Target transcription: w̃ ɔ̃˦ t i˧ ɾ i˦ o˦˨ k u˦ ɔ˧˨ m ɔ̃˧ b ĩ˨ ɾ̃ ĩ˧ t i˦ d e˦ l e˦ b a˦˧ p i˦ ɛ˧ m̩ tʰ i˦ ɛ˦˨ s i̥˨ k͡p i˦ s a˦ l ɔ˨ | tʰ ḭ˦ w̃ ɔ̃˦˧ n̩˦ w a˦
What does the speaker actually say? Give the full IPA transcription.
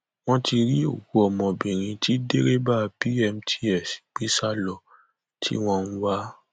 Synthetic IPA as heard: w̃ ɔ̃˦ t i˧ ɾ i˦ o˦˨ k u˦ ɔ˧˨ m ɔ̃˧ b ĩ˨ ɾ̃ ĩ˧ t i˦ d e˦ ɾ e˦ b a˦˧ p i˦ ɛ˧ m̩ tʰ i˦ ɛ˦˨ s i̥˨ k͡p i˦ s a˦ l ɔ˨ | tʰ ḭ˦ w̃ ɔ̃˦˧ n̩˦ w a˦